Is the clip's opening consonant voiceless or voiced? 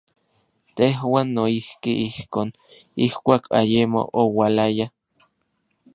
voiceless